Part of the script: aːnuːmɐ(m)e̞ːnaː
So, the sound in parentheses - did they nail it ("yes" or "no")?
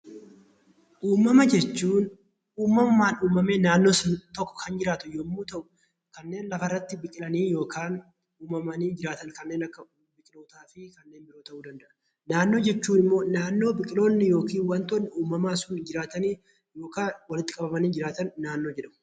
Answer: yes